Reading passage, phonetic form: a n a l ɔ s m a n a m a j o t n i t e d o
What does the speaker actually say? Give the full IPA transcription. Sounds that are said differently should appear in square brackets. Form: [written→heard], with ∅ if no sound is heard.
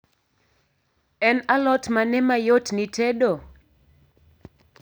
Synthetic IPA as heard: [a→ɛ] n a l ɔ [s→t] m a n [a→ɛ] m a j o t n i t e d o